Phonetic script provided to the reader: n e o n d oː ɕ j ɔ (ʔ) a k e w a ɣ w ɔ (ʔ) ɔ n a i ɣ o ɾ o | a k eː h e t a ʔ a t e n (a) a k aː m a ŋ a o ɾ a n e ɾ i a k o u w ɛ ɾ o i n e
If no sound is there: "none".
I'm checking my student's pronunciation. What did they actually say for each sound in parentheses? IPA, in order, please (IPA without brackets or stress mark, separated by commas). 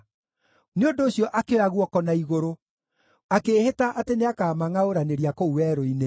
ʔ, k, e